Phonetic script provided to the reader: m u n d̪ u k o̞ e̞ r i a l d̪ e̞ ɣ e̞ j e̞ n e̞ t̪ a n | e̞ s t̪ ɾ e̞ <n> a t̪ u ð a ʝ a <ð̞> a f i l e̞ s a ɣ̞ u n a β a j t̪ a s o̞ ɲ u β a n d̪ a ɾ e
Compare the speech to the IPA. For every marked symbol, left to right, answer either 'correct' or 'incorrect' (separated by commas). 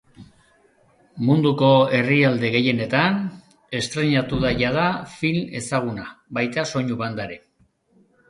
incorrect, correct